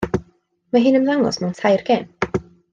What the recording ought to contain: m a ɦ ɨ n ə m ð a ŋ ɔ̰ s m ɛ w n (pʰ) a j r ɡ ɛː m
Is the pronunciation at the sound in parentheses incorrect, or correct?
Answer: incorrect